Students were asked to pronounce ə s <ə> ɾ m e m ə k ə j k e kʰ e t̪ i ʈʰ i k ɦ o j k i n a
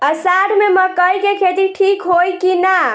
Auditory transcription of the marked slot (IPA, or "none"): a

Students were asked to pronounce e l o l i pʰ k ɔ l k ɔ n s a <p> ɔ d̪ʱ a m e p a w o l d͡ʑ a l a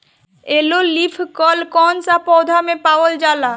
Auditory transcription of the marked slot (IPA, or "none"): p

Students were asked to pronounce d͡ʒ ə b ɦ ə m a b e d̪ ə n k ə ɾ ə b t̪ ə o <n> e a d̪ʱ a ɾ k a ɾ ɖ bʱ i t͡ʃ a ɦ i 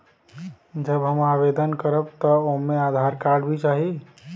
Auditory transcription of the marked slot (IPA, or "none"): m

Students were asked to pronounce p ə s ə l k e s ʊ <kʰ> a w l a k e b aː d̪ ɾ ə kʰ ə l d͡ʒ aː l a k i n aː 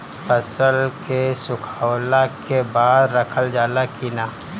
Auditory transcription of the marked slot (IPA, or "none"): kʰ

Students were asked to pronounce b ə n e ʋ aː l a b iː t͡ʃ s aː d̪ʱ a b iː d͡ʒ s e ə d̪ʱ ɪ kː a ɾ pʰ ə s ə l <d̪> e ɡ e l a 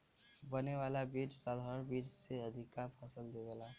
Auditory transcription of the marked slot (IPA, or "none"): d̪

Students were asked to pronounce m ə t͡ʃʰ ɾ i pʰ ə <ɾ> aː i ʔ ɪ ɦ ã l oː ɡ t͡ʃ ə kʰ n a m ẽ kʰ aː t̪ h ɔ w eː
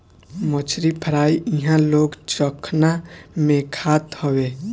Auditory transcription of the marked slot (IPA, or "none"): ɾ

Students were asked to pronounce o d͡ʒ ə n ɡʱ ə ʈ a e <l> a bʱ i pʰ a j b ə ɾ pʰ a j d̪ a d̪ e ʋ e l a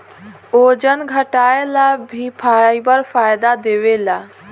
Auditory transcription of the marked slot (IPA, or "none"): l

